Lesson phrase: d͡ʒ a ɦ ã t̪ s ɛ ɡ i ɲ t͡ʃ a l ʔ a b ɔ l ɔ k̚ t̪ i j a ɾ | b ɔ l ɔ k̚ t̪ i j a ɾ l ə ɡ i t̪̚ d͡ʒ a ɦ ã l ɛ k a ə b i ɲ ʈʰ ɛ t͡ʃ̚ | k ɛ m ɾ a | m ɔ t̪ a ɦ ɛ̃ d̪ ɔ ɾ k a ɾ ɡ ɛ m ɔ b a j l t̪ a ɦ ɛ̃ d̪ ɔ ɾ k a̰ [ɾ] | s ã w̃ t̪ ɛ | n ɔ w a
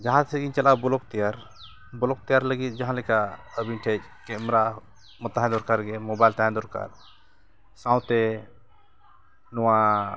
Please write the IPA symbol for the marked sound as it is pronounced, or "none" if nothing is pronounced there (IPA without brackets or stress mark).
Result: ɾ